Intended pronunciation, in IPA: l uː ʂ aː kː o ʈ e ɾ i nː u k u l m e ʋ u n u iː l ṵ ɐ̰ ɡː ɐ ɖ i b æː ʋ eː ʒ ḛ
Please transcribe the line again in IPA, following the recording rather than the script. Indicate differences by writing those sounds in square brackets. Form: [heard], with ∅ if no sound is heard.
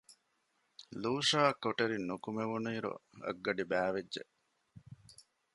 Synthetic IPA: l uː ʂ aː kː o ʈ e ɾ i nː u k u [∅] m e ʋ u n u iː [ɾ] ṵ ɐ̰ ɡː ɐ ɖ i b æː ʋ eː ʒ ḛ

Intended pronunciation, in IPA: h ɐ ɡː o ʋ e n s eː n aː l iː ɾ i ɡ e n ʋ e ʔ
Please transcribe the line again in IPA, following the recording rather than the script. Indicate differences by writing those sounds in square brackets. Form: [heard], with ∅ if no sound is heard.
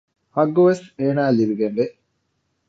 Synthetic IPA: h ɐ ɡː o ʋ e [∅] s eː n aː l [i] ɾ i ɡ e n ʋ e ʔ

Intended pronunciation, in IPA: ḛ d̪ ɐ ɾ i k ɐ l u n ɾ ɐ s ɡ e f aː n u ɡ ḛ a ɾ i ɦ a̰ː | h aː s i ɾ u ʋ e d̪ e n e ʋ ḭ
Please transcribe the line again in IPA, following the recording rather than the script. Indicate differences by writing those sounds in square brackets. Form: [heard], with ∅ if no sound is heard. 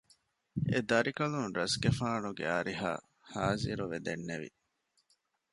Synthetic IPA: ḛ d̪ ɐ ɾ i k ɐ l u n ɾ ɐ s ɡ e f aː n u ɡ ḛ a ɾ i ɦ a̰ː | h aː [z] i ɾ u ʋ e d̪ e [nː] e ʋ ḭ

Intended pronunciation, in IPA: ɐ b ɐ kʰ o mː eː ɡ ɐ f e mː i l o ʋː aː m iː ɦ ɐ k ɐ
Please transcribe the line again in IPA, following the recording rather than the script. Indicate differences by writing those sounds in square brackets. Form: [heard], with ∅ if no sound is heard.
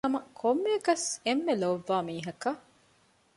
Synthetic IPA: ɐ [m] ɐ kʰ o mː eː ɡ ɐ [s] e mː [e] l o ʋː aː m iː ɦ ɐ k ɐ

